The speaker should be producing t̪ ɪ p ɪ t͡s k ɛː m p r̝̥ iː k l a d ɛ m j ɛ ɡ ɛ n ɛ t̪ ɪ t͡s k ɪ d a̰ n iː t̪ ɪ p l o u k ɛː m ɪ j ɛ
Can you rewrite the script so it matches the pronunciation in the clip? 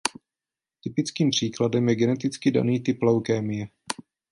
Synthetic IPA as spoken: t̪ ɪ p ɪ t͡s k iː m p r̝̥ iː k l a d ɛ m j ɛ ɡ ɛ n ɛ t̪ ɪ t͡s k ɪ d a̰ n iː t̪ ɪ p l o w k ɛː m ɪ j ɛ